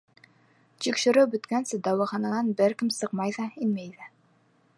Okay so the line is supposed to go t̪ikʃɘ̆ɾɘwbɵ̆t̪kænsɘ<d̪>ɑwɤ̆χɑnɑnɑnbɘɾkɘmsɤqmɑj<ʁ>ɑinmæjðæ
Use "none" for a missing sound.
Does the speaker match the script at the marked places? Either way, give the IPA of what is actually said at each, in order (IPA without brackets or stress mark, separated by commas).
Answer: d̪, ð